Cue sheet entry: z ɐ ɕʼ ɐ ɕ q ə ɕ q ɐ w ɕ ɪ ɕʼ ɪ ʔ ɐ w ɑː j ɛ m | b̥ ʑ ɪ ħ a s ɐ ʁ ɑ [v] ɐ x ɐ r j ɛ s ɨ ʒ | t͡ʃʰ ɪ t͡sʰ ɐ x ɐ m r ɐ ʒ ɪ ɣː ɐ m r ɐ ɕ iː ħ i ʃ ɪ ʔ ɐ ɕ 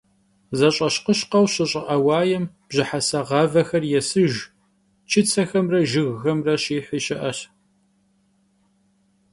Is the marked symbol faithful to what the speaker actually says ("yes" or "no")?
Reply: yes